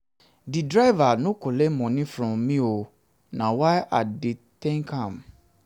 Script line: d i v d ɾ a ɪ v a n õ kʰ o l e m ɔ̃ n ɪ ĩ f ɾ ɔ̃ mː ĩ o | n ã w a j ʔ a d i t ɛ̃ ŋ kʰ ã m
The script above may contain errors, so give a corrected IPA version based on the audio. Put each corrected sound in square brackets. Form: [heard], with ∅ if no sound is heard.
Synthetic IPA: d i [∅] d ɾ a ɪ v a n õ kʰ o l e m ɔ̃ n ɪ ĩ f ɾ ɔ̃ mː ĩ o | n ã w a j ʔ a d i t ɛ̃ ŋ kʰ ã m